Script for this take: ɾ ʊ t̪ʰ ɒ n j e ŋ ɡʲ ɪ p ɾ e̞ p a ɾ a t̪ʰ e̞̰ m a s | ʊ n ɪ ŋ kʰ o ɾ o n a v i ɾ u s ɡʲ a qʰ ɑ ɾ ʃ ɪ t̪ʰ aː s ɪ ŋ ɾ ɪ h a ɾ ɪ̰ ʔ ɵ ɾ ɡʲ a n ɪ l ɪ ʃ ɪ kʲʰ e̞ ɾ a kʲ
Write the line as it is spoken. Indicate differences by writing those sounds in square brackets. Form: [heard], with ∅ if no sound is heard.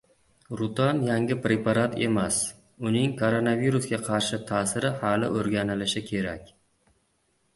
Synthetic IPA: ɾ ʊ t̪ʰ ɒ n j [a] ŋ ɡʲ ɪ p ɾ e̞ p a ɾ a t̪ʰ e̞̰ m a s | ʊ n ɪ ŋ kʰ o ɾ o n a v i ɾ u s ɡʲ a qʰ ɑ ɾ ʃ ɪ t̪ʰ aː s ɪ [∅] ɾ ɪ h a [l] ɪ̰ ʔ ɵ ɾ ɡʲ a n ɪ l ɪ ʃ ɪ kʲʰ e̞ ɾ a kʲ